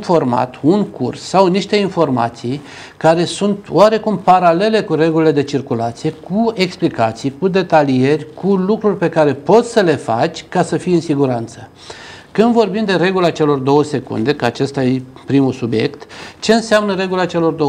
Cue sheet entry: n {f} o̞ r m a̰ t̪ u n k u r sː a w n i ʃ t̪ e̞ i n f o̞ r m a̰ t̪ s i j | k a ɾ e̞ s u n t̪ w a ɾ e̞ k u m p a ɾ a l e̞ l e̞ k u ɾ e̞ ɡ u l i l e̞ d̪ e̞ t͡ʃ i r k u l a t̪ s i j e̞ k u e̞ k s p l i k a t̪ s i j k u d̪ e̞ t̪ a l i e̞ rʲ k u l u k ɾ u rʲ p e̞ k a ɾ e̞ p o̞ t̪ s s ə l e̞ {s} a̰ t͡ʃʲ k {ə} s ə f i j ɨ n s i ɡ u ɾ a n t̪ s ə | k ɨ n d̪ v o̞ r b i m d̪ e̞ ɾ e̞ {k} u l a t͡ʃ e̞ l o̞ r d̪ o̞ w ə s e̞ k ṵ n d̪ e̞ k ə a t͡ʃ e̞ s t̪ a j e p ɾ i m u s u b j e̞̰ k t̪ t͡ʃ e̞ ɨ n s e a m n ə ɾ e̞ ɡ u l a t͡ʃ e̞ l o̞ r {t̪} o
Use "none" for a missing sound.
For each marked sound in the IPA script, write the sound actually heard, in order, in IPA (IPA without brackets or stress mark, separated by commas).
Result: f, f, a, ɡ, d̪